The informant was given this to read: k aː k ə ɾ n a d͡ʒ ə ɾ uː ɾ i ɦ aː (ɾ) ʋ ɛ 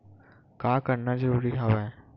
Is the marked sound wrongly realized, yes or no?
yes